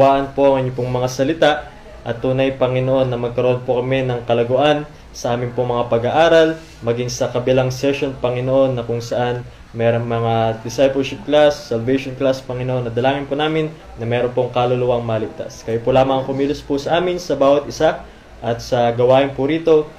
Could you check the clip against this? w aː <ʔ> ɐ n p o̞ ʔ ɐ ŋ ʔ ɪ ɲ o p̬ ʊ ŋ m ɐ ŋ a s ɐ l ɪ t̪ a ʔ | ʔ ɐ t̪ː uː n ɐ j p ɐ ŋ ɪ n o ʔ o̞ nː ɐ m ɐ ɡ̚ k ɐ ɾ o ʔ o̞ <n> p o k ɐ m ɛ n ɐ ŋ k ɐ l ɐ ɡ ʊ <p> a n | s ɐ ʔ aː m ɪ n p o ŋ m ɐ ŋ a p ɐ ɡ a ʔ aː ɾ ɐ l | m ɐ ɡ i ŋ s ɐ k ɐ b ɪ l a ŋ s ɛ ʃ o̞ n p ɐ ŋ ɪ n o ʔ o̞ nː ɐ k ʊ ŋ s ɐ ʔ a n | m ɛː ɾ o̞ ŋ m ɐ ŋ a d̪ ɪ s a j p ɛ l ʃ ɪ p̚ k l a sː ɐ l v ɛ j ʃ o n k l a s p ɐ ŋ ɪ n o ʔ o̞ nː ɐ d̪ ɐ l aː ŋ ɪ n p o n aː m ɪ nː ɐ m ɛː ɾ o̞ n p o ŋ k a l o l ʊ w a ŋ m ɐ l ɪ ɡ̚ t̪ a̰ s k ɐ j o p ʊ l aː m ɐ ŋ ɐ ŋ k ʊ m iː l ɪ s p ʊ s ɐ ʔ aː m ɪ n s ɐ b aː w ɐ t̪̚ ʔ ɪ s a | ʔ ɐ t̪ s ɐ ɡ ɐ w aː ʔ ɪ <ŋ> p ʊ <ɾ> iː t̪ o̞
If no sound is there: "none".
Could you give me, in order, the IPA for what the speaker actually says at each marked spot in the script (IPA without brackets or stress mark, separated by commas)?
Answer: ʔ, n, ʔ, n, ɾ